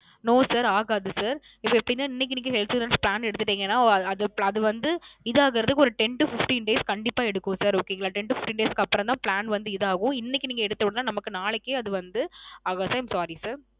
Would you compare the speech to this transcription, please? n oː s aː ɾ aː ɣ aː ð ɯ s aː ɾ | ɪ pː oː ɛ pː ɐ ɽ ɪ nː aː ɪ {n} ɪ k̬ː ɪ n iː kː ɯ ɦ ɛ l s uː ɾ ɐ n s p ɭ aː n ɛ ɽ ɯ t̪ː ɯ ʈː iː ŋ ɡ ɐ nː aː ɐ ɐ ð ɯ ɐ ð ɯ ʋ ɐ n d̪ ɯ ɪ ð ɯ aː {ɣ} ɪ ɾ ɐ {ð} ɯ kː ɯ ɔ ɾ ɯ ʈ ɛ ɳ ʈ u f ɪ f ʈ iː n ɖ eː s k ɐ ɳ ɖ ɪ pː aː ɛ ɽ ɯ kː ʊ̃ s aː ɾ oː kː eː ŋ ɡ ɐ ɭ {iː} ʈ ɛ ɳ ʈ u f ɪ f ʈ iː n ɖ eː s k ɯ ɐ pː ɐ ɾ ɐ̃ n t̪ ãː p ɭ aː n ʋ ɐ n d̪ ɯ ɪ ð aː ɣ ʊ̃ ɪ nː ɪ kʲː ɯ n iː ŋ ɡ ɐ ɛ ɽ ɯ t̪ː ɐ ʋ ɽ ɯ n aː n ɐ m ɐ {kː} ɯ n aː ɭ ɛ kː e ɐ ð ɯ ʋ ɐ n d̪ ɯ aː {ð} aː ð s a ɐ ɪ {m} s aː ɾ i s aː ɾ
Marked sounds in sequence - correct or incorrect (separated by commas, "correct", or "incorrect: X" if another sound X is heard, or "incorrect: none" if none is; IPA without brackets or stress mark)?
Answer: incorrect: nː, correct, correct, incorrect: aː, correct, incorrect: ɣ, correct